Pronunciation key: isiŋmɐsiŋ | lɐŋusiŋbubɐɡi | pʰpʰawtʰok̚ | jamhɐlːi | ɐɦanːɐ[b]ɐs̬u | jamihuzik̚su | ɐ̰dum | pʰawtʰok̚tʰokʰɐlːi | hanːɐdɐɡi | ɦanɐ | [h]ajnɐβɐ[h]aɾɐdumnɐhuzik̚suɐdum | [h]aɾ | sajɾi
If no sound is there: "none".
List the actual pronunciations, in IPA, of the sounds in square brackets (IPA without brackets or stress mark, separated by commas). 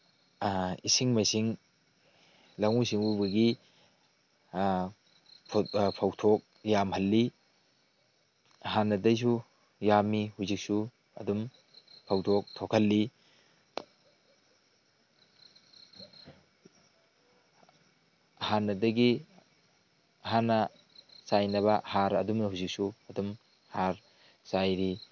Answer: d, s, h, h